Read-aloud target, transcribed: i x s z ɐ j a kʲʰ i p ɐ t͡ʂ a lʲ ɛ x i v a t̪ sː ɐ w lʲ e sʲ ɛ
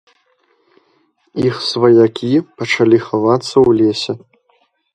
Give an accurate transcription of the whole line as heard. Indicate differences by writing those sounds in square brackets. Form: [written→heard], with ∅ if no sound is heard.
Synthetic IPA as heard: i x s [z→v] ɐ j a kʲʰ i p ɐ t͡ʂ a lʲ [ɛ→i] x [i→a] v a t̪ sː ɐ w lʲ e sʲ ɛ